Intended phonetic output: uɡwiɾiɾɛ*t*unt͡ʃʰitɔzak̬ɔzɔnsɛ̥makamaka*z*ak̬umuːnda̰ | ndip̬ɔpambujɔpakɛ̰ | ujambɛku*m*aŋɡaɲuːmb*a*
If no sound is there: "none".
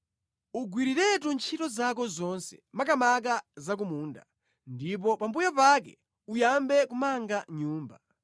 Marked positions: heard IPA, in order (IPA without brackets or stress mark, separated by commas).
t, z, m, a